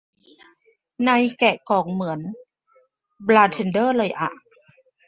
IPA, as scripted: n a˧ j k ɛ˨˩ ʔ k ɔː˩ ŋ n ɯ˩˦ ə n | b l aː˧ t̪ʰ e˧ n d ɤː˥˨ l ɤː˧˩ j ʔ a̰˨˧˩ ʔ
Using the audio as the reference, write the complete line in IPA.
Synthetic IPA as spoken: n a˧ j k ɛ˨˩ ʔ k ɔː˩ ŋ m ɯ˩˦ ə n | b l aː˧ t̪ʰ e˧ n d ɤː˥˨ l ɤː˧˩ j ʔ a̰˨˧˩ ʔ